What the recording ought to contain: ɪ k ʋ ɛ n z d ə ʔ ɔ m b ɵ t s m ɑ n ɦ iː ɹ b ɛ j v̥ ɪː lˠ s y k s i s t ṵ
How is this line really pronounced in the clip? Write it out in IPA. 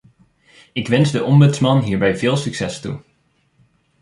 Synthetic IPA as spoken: ɪ k ʋ ɛ n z d ə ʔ ɔ m b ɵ t s m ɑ n ɦ iː ɹ b ɛ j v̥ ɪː lˠ s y k s ɛ s t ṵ